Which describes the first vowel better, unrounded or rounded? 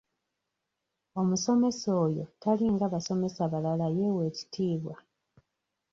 rounded